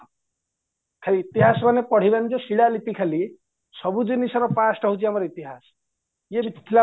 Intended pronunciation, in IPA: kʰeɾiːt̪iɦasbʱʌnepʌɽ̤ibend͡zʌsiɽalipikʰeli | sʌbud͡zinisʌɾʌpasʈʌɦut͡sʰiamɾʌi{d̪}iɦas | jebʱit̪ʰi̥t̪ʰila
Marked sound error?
yes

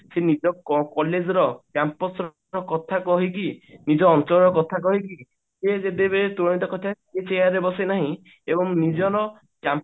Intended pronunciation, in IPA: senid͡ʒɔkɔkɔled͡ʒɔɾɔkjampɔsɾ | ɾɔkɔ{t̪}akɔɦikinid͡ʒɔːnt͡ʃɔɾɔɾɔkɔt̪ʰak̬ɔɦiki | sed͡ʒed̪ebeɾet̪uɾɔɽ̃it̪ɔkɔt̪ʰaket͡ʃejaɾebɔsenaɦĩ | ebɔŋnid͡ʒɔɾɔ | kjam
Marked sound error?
yes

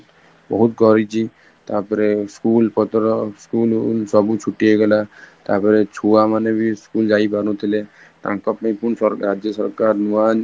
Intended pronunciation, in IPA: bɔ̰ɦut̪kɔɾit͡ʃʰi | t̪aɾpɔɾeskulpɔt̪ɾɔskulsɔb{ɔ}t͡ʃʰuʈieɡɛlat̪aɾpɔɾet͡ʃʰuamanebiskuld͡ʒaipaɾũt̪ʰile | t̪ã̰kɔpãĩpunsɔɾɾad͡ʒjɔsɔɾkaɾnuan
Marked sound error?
yes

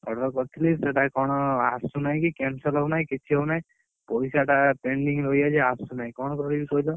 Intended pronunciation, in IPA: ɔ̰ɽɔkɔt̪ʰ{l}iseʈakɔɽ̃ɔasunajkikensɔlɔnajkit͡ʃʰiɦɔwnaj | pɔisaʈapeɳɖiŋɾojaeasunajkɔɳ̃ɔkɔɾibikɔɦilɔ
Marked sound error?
no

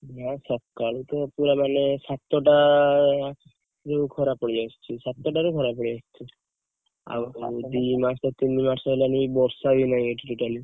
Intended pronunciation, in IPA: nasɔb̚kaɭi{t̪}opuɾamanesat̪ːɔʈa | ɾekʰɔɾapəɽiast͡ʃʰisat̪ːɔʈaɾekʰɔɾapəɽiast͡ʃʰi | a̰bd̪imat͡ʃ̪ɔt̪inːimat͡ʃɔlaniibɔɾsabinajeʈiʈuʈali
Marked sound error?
no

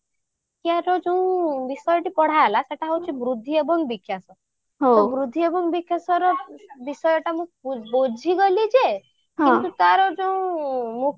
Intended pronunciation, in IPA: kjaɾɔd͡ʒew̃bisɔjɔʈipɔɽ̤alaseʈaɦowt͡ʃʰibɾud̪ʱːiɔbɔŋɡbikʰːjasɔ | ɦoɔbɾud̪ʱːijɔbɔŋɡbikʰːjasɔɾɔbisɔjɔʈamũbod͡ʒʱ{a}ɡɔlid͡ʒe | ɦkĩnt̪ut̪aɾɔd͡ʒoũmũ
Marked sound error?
yes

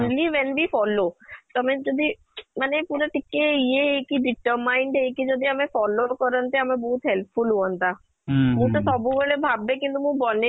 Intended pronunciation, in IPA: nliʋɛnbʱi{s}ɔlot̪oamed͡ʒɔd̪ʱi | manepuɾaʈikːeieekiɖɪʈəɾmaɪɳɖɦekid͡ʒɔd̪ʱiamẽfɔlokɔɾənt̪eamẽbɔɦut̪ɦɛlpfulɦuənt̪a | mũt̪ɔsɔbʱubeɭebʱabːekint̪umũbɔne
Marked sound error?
yes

